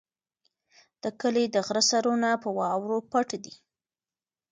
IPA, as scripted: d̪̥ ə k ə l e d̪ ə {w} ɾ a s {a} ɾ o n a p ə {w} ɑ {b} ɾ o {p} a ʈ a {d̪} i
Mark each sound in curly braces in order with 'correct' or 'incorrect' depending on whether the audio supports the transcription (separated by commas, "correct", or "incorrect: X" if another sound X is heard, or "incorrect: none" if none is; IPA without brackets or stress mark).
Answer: incorrect: ɣ, correct, correct, incorrect: w, correct, correct